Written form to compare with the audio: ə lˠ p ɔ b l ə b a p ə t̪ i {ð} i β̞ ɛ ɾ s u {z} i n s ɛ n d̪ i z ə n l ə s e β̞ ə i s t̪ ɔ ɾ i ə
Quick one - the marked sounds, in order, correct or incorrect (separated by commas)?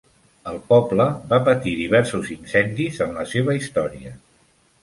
correct, correct